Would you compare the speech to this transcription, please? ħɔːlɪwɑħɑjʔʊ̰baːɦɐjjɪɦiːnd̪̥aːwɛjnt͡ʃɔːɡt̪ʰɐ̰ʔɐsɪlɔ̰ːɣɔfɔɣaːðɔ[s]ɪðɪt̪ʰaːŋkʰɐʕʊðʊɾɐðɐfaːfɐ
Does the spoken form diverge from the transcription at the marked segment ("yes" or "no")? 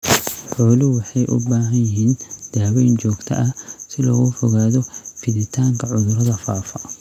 yes